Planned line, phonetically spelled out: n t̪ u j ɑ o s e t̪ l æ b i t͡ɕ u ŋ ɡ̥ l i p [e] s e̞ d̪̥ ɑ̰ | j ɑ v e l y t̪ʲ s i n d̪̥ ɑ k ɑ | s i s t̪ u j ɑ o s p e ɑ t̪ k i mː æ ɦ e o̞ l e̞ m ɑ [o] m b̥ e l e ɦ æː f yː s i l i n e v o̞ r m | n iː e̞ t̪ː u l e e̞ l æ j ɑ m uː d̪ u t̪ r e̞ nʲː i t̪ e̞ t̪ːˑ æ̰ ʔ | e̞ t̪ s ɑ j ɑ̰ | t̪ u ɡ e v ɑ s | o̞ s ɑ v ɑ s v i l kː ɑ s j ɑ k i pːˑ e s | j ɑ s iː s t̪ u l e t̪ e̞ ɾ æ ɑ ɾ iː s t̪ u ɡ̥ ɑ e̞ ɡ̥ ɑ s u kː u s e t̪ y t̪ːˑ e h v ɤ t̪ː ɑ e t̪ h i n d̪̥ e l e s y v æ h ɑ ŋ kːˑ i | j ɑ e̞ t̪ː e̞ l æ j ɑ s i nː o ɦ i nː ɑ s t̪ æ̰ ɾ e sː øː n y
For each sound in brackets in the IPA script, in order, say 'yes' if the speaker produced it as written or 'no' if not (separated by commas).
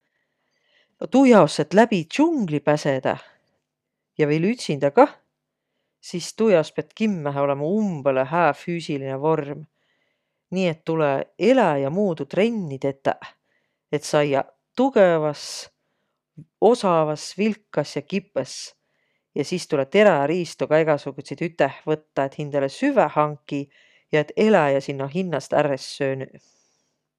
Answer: no, no